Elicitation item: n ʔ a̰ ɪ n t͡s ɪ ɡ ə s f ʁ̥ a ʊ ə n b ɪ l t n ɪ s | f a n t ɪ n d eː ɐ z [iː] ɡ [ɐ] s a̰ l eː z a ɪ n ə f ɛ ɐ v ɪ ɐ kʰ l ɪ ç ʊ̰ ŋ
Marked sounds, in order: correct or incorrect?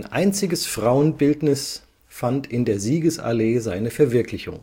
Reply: correct, incorrect

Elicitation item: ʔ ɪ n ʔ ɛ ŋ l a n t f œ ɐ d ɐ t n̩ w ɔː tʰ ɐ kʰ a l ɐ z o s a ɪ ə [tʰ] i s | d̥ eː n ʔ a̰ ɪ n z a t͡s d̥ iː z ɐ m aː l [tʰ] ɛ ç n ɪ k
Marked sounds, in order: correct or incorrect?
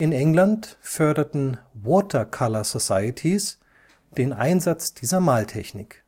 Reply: correct, correct

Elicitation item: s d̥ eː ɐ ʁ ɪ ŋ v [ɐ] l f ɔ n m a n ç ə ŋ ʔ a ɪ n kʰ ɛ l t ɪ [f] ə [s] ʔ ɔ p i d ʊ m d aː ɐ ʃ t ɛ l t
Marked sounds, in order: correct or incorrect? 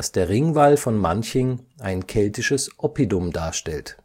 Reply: incorrect, incorrect, correct

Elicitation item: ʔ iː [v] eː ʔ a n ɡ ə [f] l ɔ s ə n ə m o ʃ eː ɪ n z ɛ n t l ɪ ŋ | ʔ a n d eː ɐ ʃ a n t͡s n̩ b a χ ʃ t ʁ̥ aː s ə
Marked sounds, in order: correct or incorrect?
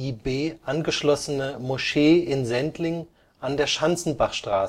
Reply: incorrect, incorrect

